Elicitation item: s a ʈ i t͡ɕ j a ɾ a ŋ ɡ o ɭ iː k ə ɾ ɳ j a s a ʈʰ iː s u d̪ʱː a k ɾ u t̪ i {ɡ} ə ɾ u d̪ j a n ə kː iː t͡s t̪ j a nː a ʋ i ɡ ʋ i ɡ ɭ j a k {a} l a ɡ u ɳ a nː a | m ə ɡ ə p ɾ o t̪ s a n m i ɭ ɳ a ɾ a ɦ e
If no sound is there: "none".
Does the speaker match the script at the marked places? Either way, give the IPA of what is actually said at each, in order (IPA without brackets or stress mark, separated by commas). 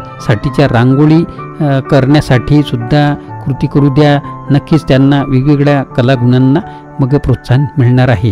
k, ə